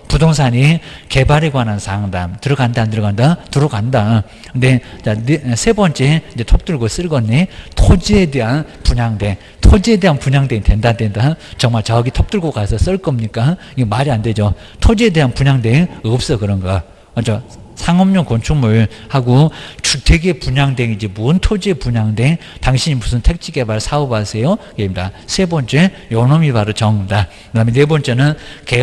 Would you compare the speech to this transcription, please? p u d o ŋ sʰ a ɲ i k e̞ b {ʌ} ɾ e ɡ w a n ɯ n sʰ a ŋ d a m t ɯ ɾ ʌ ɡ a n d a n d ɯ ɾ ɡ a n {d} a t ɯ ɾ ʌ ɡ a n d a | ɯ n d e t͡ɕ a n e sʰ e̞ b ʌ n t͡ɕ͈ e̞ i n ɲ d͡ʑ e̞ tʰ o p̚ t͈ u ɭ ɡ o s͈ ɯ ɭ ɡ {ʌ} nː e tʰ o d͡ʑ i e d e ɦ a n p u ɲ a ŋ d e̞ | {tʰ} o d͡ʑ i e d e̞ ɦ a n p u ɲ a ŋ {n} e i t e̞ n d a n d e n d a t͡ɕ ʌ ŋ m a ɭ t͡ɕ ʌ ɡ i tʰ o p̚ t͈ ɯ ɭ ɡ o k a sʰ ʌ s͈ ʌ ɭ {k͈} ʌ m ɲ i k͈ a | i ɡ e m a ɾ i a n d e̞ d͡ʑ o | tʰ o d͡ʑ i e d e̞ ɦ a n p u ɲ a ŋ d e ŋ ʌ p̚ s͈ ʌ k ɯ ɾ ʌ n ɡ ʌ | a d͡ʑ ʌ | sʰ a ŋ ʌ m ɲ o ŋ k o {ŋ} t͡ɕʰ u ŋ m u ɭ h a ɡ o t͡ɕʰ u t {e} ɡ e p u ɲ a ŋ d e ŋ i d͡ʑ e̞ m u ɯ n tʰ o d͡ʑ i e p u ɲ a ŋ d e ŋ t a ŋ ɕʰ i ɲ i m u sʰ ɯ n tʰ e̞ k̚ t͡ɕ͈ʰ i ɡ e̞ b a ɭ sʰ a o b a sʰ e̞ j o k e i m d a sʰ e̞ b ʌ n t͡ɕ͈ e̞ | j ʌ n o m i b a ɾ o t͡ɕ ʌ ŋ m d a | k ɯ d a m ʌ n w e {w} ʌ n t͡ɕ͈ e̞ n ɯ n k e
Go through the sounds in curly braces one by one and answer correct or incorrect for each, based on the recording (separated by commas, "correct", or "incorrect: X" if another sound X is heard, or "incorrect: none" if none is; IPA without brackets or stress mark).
incorrect: a, correct, correct, correct, incorrect: d, correct, incorrect: n, correct, incorrect: b